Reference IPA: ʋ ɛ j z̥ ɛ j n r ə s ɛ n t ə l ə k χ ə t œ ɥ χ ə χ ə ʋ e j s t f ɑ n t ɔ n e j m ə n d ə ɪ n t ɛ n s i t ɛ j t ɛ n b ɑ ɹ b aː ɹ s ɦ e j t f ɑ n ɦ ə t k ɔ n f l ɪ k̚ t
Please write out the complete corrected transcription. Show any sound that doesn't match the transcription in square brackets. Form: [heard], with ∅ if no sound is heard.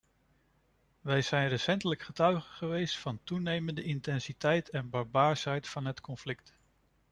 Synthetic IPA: ʋ ɛ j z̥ ɛ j n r ə s ɛ n t ə l ə k χ ə t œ ɥ χ ə χ ə ʋ e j s t f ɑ n t [u] n e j m ə n d ə ɪ n t ɛ n s i t ɛ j t ɛ n b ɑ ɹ b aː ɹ s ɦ [ɛ] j t f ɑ n ɦ ə t k ɔ n f l ɪ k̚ t